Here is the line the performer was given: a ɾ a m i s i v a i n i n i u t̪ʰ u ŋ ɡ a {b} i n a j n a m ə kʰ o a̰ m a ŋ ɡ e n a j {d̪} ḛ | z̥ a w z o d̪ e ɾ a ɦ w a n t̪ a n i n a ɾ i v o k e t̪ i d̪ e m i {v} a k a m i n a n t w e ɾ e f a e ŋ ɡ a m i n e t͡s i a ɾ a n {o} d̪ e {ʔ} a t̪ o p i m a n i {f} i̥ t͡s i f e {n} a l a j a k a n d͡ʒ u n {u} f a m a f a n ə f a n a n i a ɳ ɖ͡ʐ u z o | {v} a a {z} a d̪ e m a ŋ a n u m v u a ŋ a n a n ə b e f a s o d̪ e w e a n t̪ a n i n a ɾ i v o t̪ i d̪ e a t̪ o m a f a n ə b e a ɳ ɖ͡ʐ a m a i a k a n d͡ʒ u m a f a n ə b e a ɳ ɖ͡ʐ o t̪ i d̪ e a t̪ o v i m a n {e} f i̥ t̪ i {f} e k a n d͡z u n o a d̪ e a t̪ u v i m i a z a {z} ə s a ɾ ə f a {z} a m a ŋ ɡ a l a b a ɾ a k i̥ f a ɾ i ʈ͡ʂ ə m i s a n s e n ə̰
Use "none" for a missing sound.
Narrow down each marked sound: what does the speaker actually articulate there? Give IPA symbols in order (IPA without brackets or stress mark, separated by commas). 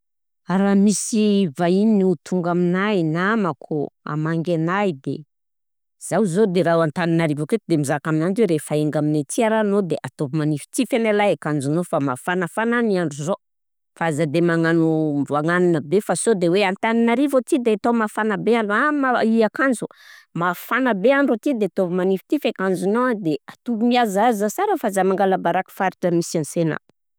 m, d̪, z, o, ʔ, f, n, o, f, z, i, f, z, z